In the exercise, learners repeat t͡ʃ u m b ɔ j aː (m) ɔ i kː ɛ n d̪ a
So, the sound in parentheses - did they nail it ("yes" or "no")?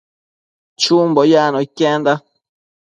no